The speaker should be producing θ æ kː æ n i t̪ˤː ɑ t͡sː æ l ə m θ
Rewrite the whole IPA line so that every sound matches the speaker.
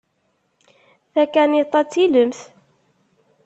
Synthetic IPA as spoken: θ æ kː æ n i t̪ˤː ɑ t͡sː i l ə m θ